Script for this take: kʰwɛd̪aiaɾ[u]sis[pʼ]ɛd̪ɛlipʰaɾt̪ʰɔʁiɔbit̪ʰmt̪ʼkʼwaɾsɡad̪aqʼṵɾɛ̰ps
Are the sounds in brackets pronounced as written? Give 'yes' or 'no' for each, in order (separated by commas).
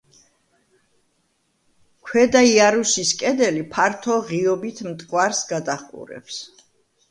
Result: yes, no